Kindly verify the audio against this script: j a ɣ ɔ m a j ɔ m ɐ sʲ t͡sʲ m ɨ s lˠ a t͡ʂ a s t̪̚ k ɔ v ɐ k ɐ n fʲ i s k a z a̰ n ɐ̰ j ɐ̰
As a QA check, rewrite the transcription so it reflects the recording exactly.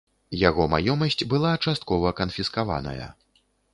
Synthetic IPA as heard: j a ɣ ɔ m a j ɔ m ɐ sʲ t͡sʲ b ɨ lˠ a t͡ʂ a s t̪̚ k ɔ v ɐ k ɐ n fʲ i s k a v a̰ n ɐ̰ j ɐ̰

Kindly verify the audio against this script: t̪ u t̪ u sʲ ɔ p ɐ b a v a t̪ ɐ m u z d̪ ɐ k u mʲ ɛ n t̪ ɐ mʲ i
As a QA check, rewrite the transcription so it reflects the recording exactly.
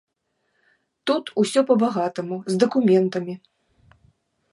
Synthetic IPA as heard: t̪ u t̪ u sʲ ɔ p ɐ b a ɣ a t̪ ɐ m u z d̪ ɐ k u mʲ ɛ n t̪ ɐ mʲ i

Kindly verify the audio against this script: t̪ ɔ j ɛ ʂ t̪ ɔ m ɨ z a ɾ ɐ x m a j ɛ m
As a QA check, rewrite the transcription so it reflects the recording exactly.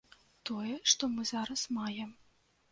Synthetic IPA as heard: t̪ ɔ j ɛ ʂ t̪ ɔ m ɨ z a ɾ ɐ s m a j ɛ m

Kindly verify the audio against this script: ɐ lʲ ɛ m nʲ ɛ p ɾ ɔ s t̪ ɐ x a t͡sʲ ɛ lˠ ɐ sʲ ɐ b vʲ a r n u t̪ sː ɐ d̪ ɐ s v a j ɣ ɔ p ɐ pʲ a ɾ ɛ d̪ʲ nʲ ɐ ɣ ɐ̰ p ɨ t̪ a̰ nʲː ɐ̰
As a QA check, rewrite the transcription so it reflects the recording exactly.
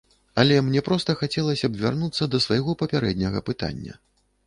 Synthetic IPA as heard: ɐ lʲ ɛ m nʲ ɛ p ɾ ɔ s t̪ ɐ x a t͡sʲ ɛ lˠ ɐ sʲ ɐ b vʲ a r n u t̪ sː ɐ d̪ ɐ s v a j ɣ ɔ p ɐ pʲ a ɾ ɛ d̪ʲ nʲ ɐ ɣ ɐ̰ p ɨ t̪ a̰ nʲː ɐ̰

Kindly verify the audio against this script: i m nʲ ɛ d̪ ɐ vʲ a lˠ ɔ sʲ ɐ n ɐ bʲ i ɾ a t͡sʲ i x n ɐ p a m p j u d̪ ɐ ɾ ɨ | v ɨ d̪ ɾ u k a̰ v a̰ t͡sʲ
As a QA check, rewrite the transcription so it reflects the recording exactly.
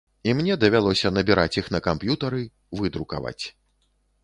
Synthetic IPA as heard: i m nʲ ɛ d̪ ɐ vʲ a lˠ ɔ sʲ ɐ n ɐ bʲ i ɾ a t͡sʲ i x n ɐ k a m p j u t̪ ɐ ɾ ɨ | v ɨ d̪ ɾ u k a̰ v a̰ t͡sʲ

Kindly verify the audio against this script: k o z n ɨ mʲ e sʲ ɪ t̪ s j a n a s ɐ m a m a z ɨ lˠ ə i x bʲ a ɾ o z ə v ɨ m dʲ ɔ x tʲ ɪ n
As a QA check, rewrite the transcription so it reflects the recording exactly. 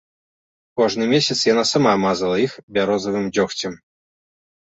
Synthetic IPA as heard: k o ʐ n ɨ mʲ e sʲ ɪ t̪ s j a n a s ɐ m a m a z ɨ lˠ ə i x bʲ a ɾ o z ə v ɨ m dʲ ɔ x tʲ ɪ m

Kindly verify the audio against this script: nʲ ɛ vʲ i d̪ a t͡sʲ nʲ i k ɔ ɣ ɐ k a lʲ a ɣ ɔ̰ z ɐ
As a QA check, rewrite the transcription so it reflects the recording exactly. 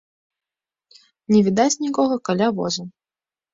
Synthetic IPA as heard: nʲ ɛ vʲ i d̪ a t͡sʲ nʲ i k ɔ ɣ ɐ k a lʲ a v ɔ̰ z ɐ

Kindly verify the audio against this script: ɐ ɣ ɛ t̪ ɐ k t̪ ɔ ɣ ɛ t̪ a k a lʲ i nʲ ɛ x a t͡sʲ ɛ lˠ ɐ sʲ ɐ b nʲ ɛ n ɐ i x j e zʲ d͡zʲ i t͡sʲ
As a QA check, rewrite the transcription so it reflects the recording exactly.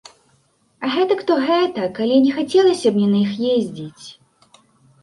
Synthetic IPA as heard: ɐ ɣ ɛ t̪ ɐ k t̪ ɔ ɣ ɛ t̪ ɐ k a lʲ i nʲ ɛ x a t͡sʲ ɛ lˠ ɐ sʲ ɐ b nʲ ɛ n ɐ i x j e zʲ d͡zʲ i t͡sʲ

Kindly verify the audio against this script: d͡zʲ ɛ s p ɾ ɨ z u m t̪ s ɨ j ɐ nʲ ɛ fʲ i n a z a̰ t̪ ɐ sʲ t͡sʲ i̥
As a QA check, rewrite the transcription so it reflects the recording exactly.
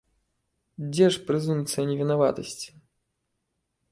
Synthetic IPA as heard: d͡zʲ ɛ ʂ p ɾ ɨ z u m t̪ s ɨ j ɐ nʲ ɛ vʲ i n a v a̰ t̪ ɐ sʲ t͡sʲ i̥

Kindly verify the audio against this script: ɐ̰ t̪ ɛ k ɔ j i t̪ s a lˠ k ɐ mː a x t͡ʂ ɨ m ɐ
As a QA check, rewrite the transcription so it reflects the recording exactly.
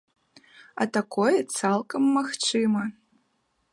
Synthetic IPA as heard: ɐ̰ t̪ a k ɔ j ɛ t̪ s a lˠ k ɐ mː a x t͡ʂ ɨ m ɐ

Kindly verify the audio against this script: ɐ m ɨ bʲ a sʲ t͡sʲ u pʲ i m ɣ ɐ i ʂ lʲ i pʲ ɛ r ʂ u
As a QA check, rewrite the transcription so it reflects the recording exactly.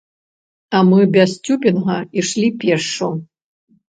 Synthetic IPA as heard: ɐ m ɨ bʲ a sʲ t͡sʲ u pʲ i n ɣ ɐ i ʂ lʲ i pʲ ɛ r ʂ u

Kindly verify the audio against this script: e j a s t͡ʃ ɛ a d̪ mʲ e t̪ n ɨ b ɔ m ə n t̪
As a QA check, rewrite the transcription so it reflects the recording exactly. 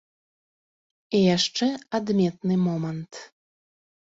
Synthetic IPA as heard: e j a ʃ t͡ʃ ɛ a d̪ mʲ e t̪ n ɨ m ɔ m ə n t̪

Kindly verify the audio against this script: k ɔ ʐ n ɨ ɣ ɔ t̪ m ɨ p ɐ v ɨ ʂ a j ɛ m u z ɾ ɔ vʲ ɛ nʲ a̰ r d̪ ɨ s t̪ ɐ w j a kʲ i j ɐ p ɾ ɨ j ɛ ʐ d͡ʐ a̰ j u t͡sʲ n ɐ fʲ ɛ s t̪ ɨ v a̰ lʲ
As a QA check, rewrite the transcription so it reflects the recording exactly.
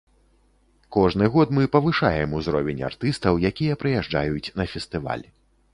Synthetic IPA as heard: k ɔ ʐ n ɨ ɣ ɔ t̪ m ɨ p ɐ v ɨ ʂ a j ɛ m u z ɾ ɔ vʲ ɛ nʲ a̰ r t̪ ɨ s t̪ ɐ w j a kʲ i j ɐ p ɾ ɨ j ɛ ʐ d͡ʐ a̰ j u t͡sʲ n ɐ fʲ ɛ s t̪ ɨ v a̰ lʲ

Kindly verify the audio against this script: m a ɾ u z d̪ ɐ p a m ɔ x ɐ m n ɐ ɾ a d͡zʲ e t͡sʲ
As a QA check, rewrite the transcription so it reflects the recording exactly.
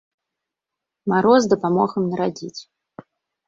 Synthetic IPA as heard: m a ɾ ɔ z d̪ ɐ p a m ɔ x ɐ m n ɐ ɾ a d͡zʲ i t͡sʲ

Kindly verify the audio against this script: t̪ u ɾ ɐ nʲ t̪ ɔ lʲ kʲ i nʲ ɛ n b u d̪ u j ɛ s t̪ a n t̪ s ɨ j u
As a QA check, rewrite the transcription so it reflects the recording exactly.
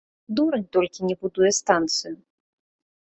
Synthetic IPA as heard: d̪ u ɾ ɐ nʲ t̪ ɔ lʲ kʲ i nʲ ɛ b u d̪ u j ɛ s t̪ a n t̪ s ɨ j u

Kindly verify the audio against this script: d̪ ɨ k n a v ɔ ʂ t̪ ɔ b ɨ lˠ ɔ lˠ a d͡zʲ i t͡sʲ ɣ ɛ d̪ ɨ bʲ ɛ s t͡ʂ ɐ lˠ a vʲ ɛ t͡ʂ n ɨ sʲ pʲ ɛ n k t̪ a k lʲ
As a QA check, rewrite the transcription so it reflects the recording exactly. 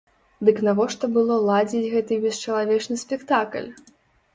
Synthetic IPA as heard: d̪ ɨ k n a v ɔ ʂ t̪ ɔ b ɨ lˠ ɔ lˠ a d͡zʲ i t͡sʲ ɣ ɛ t̪ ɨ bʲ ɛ s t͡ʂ ɐ lˠ a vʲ ɛ t͡ʂ n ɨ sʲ pʲ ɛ k t̪ a k lʲ

